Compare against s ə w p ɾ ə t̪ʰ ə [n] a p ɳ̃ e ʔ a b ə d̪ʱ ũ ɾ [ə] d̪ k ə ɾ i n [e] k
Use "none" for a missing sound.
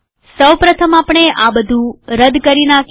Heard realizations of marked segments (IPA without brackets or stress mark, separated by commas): m, ə, a